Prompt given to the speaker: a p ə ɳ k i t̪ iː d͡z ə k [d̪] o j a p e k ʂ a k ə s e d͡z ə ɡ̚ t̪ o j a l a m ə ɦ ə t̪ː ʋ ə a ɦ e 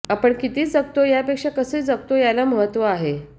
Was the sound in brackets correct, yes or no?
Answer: no